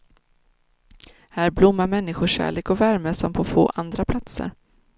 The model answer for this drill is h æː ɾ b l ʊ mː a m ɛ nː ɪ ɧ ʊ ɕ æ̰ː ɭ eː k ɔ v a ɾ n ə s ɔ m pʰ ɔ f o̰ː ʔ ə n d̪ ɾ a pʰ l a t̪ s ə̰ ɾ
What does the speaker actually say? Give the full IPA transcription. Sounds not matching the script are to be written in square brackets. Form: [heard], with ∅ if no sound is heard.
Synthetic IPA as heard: h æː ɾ b l ʊ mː a m ɛ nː ɪ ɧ ʊ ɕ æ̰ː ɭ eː k ɔ v [æ] ɾ [m] ə s ɔ m pʰ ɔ f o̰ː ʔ [a] n d̪ ɾ a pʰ l a t̪ s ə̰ ɾ